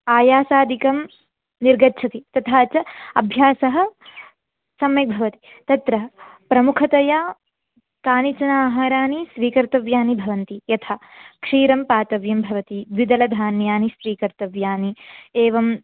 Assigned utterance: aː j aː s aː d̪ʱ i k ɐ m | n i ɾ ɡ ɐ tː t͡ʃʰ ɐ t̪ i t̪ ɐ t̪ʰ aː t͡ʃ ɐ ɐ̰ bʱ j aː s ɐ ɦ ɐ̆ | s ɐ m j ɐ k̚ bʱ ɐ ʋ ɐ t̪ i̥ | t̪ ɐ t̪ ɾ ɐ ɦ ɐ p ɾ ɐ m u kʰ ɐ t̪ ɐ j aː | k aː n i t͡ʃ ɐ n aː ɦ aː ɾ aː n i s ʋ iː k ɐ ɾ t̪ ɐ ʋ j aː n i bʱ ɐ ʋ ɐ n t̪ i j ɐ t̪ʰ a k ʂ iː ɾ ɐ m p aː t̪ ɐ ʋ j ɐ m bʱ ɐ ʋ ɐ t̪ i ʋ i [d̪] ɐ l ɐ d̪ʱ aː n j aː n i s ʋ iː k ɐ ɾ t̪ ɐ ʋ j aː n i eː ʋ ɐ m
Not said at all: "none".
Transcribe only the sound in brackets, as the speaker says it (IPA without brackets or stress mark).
d̪